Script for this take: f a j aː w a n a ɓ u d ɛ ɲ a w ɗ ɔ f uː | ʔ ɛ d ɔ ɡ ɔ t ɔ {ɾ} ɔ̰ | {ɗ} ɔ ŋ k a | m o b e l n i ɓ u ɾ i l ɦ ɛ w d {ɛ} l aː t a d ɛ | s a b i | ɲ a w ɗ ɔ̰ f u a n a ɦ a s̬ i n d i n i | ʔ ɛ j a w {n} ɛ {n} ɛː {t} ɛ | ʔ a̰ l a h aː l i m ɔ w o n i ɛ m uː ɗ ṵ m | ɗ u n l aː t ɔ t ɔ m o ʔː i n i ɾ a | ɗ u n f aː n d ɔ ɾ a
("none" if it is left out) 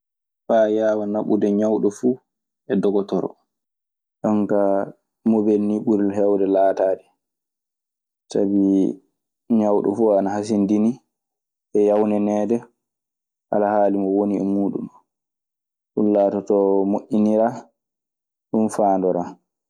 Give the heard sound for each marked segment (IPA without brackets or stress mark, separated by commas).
ɾ, ɗ, ɛ, n, n, d